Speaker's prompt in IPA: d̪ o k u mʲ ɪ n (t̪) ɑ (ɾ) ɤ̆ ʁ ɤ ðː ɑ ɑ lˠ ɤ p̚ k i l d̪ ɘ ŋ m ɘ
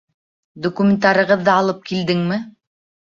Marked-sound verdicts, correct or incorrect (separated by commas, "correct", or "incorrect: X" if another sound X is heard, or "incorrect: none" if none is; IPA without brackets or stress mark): correct, correct